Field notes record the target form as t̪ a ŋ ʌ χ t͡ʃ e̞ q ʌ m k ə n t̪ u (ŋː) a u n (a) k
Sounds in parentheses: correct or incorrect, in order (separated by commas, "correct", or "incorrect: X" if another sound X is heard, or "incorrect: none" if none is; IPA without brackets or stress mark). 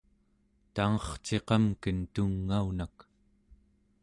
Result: correct, correct